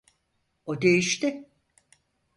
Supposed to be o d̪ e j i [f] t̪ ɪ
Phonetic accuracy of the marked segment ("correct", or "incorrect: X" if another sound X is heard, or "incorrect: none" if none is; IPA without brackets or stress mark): incorrect: ʃ